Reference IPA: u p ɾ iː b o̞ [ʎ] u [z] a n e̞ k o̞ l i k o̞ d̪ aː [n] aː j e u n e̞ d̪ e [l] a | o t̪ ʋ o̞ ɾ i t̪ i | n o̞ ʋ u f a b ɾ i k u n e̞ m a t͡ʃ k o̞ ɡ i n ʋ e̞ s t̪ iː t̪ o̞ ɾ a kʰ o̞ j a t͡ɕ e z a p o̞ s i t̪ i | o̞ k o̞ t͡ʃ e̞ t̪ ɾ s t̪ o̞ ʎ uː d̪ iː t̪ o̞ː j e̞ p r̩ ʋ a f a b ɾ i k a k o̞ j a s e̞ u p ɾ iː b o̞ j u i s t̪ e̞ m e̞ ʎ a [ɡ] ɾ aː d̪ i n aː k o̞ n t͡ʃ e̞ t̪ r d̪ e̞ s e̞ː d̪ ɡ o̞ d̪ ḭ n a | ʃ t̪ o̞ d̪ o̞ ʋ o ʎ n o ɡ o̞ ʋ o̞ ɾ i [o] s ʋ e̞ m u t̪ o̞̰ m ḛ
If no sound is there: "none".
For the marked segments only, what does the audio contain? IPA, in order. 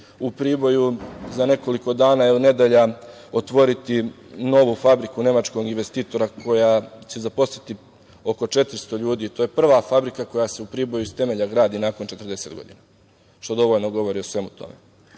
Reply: j, z, n, ʎ, ɡ, o

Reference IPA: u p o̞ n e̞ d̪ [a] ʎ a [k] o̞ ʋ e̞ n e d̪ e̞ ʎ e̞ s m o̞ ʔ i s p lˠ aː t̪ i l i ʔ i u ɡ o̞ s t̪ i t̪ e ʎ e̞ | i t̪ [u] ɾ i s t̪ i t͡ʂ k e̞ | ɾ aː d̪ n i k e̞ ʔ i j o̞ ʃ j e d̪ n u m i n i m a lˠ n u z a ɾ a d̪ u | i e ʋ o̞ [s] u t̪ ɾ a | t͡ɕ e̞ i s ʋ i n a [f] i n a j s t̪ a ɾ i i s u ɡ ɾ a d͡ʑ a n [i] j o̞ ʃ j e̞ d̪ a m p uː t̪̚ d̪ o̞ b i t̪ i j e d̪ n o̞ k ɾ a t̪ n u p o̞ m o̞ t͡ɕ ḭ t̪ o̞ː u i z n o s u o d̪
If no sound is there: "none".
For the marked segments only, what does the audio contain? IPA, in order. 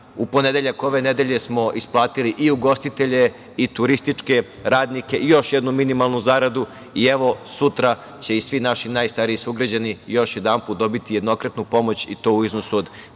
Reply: e, k, u, s, ʃ, i

